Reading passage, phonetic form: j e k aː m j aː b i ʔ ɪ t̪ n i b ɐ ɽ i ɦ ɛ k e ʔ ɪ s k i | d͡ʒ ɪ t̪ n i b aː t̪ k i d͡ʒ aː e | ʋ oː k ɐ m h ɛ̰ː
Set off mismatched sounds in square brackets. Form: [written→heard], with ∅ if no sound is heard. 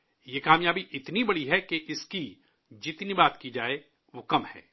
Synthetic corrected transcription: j e k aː m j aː b i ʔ ɪ t̪ n i b ɐ ɽ i ɦ ɛ k e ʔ ɪ s k i | d͡ʒ ɪ t̪ n i b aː t̪ k i d͡ʒ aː e | ʋ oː k ɐ m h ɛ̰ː